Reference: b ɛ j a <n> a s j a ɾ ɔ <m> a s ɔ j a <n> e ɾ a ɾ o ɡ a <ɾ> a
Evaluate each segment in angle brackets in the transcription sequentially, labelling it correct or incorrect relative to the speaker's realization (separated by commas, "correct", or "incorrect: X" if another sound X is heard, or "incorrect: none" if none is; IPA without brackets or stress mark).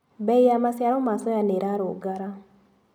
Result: incorrect: m, correct, correct, correct